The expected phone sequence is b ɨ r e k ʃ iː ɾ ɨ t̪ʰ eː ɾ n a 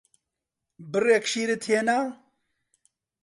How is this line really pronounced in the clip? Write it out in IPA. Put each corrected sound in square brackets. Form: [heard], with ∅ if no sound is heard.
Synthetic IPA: b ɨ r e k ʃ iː ɾ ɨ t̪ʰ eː [∅] n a